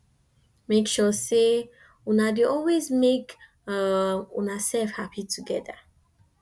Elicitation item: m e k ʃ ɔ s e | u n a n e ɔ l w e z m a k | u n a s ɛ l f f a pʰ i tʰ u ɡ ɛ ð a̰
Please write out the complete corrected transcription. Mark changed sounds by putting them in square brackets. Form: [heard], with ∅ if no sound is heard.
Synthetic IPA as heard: m e k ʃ ɔ s e | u n a [d] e ɔ l w e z m [e] k | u n a s ɛ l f [h] a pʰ i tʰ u ɡ ɛ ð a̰